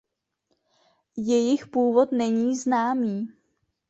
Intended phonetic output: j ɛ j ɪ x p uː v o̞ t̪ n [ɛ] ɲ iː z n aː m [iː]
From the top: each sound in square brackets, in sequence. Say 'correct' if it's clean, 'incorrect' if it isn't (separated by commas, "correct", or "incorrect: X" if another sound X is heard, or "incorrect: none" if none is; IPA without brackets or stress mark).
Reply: correct, correct